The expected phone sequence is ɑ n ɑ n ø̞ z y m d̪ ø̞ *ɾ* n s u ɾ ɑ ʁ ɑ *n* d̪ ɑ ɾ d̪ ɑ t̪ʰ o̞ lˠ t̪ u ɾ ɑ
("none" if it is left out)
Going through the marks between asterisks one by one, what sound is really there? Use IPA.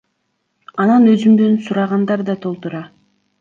none, n

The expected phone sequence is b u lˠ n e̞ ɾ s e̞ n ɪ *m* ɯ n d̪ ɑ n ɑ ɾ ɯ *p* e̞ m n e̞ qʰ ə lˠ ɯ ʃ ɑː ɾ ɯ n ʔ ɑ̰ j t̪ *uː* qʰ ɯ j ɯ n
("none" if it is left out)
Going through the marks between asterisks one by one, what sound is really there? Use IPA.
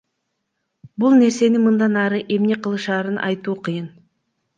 m, ʔ, uː

